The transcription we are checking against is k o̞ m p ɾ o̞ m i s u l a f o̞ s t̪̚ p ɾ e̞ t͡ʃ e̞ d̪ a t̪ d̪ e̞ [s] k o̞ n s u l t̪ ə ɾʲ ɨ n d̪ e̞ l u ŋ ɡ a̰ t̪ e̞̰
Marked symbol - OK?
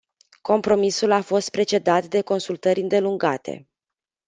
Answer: no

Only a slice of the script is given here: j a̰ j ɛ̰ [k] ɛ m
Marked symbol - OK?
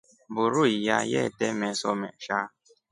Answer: no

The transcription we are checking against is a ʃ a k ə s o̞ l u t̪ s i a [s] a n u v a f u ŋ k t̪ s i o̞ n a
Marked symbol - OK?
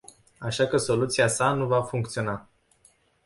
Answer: yes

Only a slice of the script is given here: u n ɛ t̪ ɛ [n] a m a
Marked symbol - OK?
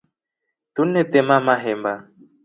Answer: no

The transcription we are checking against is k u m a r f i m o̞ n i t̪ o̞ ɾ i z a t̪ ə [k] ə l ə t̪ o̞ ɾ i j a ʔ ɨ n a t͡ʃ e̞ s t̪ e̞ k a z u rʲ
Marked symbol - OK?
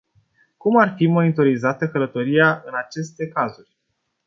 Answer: yes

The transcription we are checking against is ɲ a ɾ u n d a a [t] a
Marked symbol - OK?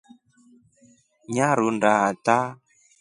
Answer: yes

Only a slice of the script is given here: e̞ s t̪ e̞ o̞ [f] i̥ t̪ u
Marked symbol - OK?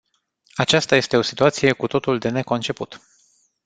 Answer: no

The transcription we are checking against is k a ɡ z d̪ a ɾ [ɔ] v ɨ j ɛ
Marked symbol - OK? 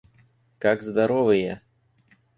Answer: yes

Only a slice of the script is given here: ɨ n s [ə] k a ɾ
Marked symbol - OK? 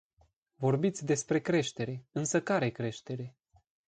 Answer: yes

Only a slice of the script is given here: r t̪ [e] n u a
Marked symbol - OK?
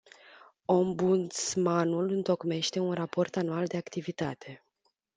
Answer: no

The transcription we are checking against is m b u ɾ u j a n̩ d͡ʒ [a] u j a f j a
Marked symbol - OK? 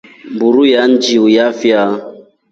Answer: no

